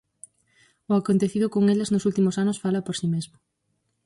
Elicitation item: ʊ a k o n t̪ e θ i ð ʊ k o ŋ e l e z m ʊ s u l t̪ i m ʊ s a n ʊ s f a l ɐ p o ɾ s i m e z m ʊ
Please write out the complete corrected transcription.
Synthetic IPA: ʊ a k o n t̪ e θ i ð ʊ k o ŋ e l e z n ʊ s u l t̪ i m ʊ s a n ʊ s f a l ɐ p o ɾ s i m e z m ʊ